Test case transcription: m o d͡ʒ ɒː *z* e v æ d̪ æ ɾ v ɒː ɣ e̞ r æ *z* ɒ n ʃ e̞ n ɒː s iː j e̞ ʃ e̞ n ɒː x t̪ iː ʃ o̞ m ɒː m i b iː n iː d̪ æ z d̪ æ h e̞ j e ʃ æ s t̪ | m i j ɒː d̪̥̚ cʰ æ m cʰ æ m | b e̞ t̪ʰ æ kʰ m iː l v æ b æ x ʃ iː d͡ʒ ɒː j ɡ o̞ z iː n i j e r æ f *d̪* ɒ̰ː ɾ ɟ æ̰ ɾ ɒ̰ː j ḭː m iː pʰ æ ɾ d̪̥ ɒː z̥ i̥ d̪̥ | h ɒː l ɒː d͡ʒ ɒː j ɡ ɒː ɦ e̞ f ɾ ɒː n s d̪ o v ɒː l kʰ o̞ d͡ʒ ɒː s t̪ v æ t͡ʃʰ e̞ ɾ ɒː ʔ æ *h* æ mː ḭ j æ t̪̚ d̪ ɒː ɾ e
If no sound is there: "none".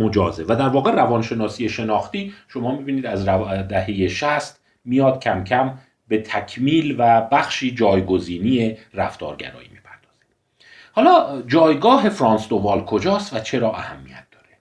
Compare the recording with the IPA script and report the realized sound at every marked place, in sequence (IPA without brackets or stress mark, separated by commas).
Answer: z, v, t̪, h